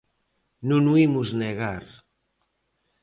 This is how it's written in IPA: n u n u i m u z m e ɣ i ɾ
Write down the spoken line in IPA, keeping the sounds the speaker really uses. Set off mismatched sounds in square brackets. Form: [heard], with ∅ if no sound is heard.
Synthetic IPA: n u n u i m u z [n] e ɣ [a] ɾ